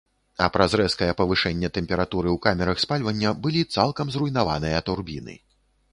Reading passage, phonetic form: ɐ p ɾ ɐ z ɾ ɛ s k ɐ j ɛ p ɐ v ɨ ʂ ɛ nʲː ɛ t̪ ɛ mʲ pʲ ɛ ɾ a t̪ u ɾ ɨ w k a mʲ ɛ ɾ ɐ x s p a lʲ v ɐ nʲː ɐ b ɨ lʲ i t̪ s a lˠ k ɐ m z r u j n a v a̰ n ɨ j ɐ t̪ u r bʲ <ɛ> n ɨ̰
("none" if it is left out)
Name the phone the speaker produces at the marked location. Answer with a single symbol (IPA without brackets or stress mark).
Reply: i